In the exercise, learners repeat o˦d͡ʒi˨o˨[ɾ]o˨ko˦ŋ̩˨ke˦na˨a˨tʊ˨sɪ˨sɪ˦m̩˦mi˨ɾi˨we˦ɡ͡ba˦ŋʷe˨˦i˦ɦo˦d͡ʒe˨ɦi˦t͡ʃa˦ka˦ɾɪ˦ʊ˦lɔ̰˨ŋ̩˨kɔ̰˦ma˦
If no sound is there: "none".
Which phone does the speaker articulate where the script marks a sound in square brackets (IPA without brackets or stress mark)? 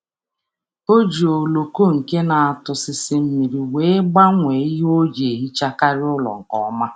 l